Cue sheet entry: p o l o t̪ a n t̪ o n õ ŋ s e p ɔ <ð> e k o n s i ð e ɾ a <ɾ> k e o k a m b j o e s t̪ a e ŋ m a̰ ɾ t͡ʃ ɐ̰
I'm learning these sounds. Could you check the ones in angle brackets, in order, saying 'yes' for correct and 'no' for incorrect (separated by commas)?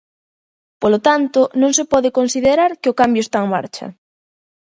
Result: yes, yes